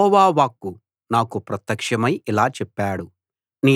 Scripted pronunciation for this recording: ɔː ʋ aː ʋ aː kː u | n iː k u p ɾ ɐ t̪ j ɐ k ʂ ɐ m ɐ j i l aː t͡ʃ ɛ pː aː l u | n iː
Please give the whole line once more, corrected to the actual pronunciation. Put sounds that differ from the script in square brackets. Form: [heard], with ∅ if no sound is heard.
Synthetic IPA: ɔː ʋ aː ʋ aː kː u | n [aː] k u p ɾ ɐ t̪ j ɐ k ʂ ɐ m ɐ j i l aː t͡ʃ ɛ pː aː [ɽ] u | n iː